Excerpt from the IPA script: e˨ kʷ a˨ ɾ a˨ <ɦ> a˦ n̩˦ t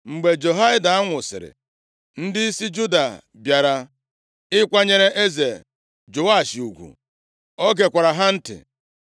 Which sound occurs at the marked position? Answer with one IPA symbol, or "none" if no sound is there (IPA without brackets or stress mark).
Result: ɦ